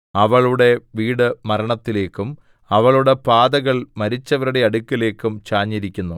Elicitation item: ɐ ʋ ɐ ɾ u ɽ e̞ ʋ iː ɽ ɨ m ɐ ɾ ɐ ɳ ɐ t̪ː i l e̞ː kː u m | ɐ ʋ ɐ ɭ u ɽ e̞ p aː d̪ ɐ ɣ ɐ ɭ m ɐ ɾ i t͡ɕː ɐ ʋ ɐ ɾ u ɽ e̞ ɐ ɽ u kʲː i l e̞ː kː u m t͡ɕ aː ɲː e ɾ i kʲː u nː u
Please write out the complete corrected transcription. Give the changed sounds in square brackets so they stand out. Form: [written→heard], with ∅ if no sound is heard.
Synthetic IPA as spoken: ɐ ʋ ɐ [ɾ→ɭ] u ɽ e̞ ʋ iː ɽ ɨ m ɐ ɾ ɐ ɳ ɐ t̪ː i l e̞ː kː u m | ɐ ʋ ɐ ɭ u ɽ e̞ p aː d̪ ɐ ɣ ɐ ɭ m ɐ ɾ i t͡ɕː ɐ ʋ ɐ ɾ u ɽ e̞ ɐ ɽ u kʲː i l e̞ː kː u m t͡ɕ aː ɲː [e→i] ɾ i kʲː u nː u